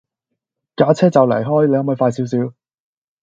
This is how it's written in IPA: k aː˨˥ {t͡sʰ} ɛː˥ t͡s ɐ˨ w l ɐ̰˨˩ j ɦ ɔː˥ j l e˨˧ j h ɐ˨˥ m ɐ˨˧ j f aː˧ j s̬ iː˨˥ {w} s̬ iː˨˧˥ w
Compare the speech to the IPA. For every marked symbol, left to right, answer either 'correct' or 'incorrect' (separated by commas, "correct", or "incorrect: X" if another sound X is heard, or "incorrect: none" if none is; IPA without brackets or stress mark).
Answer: correct, correct